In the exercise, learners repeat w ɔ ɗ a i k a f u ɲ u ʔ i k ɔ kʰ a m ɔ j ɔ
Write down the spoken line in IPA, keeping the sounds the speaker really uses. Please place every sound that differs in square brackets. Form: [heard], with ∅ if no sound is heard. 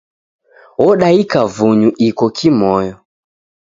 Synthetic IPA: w ɔ ɗ a i k a [v] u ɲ u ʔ i k ɔ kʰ [i] m ɔ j ɔ

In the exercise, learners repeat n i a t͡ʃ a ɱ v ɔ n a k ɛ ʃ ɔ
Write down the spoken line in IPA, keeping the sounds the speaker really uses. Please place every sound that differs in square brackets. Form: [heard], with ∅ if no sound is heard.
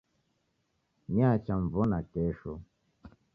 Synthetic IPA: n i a t͡ʃ a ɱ v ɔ n a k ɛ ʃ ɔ

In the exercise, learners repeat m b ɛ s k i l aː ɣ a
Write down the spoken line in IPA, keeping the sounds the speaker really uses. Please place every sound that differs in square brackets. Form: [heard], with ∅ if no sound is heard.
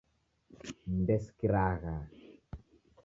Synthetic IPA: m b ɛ s k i [ɾ] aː ɣ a

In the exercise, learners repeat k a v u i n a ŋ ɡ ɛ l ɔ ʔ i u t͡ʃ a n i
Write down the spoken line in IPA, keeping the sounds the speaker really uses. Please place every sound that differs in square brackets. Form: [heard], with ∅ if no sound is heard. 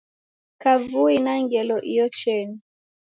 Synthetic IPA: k a v u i n a ŋ ɡ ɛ l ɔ ʔ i [ɔ] t͡ʃ [ɛ] n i

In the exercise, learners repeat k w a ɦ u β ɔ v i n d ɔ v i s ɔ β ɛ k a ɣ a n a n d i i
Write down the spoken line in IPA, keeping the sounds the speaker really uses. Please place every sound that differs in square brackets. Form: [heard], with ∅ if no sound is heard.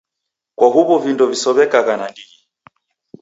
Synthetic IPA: k w a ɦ u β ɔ v i n d ɔ v i s ɔ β ɛ k a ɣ a n a n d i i

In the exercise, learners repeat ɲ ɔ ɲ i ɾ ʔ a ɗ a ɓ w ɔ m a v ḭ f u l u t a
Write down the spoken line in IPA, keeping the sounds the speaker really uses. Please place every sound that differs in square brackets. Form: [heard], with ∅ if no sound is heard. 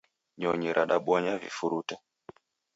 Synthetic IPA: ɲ ɔ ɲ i ɾ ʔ a ɗ a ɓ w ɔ [ɲ] a v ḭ f u [ɾ] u t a

